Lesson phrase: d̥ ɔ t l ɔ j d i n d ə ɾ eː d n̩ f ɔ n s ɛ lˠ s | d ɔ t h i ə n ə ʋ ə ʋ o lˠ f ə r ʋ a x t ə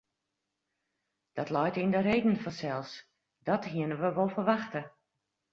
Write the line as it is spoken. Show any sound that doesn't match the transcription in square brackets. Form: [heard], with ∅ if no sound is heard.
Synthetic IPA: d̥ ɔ t l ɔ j [t] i n d ə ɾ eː d n̩ f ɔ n s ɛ lˠ s | d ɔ t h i ə n ə ʋ ə ʋ o lˠ f ə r ʋ a x t ə